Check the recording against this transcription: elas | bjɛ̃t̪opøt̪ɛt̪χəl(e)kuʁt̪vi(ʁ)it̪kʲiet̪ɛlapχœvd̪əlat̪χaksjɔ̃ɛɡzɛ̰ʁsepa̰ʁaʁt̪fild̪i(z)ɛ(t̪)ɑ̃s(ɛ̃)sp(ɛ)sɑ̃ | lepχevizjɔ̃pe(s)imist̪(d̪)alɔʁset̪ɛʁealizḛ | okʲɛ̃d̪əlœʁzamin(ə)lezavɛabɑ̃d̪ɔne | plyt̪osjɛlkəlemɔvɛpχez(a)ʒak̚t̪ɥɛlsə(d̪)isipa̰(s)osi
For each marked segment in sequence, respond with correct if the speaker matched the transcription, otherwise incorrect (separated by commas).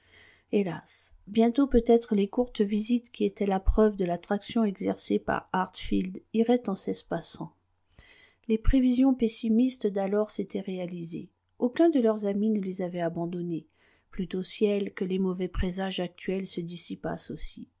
correct, incorrect, incorrect, correct, incorrect, incorrect, correct, correct, correct, correct, correct, correct